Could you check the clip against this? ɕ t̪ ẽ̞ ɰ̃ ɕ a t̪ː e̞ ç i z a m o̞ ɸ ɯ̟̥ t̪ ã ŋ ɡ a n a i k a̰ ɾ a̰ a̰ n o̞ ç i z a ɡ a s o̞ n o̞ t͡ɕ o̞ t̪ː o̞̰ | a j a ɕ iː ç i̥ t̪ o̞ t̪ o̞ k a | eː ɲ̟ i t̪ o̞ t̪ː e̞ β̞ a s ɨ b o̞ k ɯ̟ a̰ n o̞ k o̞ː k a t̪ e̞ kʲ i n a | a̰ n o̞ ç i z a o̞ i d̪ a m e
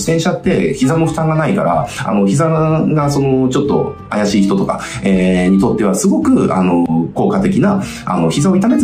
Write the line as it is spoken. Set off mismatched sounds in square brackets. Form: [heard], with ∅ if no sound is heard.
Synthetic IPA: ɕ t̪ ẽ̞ ɰ̃ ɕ a t̪ː e̞ ç i z a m o̞ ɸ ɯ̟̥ t̪ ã ŋ ɡ a n a i k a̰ ɾ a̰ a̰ n o̞ ç i z a ɡ a s o̞ n o̞ t͡ɕ o̞ t̪ː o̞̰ | a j a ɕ iː ç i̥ t̪ o̞ t̪ o̞ k a | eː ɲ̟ i t̪ o̞ t̪ː e̞ β̞ a s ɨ [ɡ] o̞ k ɯ̟ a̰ n o̞ k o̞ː k a t̪ e̞ kʲ i n a | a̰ n o̞ ç i z a o̞ i [t̪] a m e